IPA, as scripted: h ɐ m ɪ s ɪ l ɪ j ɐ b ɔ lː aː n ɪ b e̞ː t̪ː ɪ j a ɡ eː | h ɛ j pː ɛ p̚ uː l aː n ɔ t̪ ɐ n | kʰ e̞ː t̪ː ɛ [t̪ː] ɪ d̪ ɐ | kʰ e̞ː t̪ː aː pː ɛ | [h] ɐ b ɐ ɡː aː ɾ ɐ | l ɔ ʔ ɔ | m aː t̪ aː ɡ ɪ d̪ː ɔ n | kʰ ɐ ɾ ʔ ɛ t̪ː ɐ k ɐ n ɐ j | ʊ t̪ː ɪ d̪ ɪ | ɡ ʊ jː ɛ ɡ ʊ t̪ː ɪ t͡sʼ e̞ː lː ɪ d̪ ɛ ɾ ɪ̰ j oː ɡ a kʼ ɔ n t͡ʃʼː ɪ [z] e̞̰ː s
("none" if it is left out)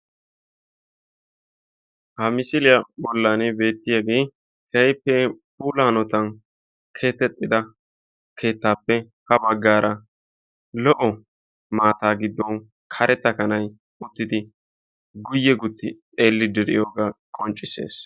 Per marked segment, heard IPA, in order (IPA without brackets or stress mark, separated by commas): t̪ʼː, h, s